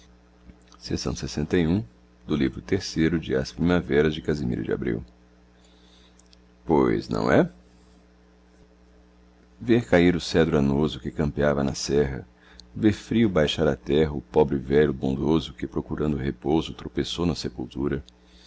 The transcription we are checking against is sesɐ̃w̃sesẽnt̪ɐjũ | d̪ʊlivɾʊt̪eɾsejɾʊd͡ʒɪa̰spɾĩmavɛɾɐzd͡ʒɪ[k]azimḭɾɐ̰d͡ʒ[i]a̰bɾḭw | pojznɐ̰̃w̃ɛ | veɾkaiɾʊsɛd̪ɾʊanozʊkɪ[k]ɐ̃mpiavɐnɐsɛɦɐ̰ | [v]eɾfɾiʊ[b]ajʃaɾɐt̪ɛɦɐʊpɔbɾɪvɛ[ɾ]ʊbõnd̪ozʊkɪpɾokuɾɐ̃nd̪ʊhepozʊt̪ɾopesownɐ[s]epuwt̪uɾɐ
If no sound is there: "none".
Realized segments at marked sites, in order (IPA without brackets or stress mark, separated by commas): k, ɪ, k, v, b, ʎ, s